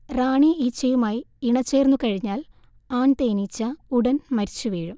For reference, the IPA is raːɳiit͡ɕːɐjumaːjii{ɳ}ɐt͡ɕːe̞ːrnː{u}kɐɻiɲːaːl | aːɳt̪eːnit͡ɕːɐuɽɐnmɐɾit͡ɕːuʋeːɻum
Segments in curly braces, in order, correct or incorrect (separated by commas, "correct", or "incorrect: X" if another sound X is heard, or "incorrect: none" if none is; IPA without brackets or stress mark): correct, correct